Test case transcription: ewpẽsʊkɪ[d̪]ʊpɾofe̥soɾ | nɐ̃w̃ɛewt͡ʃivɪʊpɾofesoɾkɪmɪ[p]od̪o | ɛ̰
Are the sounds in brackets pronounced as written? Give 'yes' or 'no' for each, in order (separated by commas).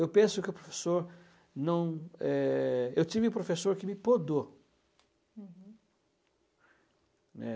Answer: no, yes